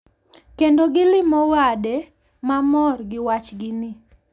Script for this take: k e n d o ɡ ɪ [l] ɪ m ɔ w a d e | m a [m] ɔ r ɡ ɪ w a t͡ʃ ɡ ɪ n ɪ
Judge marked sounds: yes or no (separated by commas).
yes, yes